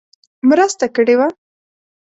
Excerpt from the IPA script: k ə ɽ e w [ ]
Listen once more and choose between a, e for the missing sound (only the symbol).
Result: a